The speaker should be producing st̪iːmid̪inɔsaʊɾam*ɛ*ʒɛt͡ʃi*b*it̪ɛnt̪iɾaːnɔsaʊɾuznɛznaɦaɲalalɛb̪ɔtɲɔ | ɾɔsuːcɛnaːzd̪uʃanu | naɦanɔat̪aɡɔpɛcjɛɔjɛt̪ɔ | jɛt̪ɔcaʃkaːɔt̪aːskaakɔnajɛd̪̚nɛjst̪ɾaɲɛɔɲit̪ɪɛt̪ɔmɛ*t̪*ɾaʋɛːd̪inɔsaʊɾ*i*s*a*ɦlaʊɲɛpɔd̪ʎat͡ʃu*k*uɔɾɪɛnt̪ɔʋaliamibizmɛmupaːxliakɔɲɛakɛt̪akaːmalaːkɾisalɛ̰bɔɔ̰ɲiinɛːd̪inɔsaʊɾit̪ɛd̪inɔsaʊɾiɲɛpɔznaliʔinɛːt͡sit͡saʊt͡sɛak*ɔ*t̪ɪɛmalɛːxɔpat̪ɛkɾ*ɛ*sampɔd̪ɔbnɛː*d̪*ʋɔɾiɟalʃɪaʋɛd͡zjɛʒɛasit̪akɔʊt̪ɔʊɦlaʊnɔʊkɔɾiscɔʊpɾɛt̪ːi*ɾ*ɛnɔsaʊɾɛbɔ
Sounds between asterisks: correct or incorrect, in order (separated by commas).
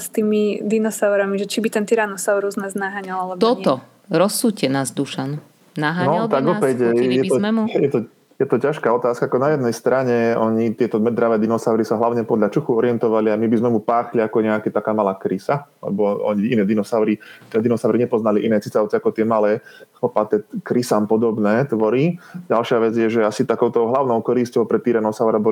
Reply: incorrect, correct, incorrect, correct, correct, incorrect, correct, incorrect, incorrect, correct